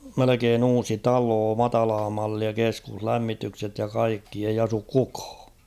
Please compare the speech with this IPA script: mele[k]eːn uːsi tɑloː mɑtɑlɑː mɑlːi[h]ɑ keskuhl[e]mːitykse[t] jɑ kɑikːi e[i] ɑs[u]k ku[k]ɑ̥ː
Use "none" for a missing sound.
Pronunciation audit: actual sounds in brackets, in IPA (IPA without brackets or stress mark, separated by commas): k, none, æ, t, i, u, k